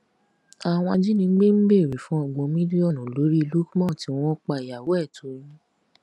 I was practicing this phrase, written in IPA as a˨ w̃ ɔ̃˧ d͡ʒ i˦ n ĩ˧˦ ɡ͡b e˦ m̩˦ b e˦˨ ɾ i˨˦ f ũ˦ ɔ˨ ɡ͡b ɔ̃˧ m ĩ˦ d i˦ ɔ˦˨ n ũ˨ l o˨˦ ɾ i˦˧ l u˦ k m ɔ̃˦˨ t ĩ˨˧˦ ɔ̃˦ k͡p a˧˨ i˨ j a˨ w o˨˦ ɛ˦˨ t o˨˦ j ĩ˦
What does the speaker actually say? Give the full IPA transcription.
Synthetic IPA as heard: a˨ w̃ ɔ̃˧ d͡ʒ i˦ n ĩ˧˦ ɡ͡b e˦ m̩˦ b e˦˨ ɾ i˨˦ f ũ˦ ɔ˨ ɡ͡b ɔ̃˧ m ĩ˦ d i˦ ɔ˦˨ n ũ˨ l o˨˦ ɾ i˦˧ l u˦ k m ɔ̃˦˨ t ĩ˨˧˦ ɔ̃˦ k͡p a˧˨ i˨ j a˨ w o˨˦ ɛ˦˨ t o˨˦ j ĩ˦